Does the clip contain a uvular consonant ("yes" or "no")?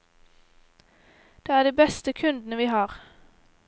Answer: yes